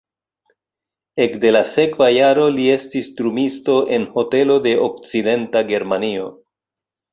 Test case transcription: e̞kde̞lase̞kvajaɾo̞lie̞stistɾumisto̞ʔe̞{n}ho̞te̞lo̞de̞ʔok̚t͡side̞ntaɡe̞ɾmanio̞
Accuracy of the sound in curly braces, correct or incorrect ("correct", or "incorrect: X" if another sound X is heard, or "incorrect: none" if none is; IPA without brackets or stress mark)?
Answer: correct